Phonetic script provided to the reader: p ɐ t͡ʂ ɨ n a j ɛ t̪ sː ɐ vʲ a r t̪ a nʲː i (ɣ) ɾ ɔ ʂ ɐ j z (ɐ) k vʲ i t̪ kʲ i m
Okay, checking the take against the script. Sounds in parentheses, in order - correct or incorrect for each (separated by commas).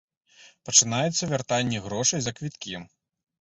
correct, correct